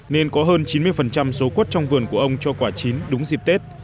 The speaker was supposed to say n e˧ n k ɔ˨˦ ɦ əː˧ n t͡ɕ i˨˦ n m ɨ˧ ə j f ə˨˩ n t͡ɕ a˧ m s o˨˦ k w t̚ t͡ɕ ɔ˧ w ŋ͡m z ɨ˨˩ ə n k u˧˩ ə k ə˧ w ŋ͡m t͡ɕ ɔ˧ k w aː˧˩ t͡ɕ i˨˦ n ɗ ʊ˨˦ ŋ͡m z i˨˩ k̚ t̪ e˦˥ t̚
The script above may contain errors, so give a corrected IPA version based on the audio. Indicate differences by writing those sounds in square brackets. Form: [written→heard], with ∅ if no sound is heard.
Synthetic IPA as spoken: n e˧ n k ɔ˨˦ ɦ əː˧ n t͡ɕ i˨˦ n m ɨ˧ ə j f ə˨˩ n t͡ɕ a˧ m s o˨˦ k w t̚ t͡ɕ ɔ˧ w ŋ͡m [z→v] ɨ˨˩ ə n k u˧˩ ə [k→ʔ] ə˧ w ŋ͡m t͡ɕ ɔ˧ k w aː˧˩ t͡ɕ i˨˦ n ɗ ʊ˨˦ ŋ͡m z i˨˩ [k̚→p̚] t̪ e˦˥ t̚